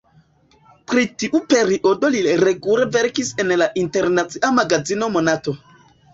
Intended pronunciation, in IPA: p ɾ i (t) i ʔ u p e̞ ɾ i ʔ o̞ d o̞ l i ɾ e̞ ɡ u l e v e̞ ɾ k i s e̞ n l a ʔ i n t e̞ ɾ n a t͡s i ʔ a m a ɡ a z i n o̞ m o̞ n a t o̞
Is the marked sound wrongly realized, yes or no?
no